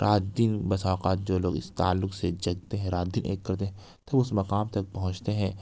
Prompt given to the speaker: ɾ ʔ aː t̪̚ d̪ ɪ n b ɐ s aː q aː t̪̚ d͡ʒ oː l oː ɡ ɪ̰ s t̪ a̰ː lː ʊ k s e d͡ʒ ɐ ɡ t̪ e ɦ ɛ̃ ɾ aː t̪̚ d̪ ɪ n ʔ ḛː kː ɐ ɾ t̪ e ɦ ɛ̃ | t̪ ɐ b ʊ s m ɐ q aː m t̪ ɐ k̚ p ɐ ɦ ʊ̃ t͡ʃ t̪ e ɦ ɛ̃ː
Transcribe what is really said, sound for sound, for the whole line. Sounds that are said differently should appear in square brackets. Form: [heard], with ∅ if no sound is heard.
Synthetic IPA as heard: ɾ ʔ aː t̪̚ d̪ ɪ n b ɐ s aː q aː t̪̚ d͡ʒ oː l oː ɡ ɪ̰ s t̪ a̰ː lː ʊ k s e d͡ʒ ɐ ɡ t̪ e ɦ ɛ̃ ɾ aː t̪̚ d̪ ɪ n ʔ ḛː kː ɐ ɾ t̪ e ɦ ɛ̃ | t̪ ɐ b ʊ s m ɐ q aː m t̪ ɐ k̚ p ɐ ɦ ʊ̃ t͡ʃ t̪ e ɦ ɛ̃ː